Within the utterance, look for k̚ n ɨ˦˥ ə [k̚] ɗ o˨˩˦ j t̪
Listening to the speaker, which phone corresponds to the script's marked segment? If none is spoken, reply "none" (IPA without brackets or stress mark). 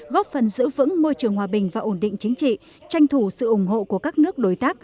k̚